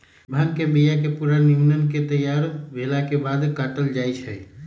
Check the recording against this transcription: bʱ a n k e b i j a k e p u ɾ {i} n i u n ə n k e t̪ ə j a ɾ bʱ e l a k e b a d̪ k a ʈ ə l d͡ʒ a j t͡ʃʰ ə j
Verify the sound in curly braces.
incorrect: a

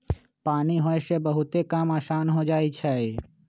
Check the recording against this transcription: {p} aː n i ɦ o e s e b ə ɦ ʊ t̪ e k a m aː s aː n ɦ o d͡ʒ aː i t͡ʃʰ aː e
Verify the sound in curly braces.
correct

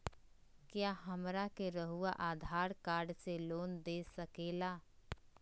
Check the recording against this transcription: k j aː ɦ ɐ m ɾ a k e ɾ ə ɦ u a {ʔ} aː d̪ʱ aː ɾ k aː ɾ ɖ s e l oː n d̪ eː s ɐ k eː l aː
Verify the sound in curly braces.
correct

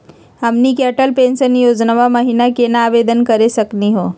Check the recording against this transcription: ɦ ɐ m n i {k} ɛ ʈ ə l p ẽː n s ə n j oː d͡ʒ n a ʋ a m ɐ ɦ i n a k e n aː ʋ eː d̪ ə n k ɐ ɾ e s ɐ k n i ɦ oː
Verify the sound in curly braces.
correct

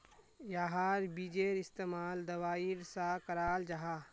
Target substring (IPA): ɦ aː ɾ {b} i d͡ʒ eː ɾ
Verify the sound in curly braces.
correct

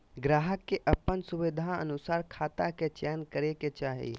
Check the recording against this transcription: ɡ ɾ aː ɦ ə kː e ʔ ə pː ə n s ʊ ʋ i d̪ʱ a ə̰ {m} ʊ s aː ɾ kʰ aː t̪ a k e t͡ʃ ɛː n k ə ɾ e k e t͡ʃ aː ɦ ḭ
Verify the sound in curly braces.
incorrect: n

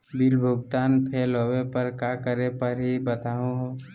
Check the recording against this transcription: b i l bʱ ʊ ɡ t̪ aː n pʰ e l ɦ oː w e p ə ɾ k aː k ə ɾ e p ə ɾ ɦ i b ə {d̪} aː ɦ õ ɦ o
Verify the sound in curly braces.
incorrect: t̪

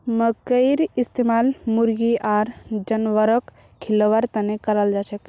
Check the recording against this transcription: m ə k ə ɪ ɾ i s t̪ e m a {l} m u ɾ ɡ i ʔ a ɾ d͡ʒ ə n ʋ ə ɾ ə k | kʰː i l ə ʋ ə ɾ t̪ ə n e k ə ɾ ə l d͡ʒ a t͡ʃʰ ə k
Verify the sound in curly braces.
correct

